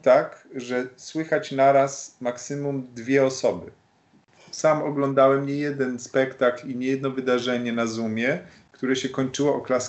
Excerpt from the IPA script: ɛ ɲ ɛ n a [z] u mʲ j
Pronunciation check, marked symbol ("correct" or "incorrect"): correct